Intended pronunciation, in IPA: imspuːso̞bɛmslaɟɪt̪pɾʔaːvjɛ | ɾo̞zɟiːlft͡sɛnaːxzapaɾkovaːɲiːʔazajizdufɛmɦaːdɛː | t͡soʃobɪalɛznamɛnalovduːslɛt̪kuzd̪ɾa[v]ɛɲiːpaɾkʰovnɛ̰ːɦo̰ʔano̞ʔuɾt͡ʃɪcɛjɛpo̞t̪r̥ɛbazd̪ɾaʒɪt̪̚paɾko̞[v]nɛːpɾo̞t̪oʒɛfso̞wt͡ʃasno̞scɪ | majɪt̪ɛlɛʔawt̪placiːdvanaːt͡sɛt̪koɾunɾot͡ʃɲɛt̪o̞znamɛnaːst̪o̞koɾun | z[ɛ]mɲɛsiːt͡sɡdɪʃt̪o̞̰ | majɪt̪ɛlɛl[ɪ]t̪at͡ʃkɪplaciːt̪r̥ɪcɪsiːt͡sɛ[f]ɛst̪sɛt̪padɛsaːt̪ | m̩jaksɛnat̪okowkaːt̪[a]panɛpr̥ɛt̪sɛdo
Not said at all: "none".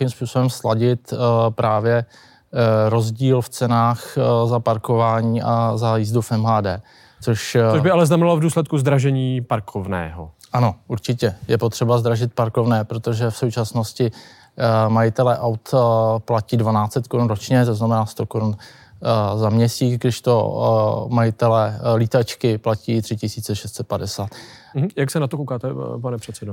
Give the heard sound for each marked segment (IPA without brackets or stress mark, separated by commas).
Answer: ʒ, v, a, i, ʃ, ɛ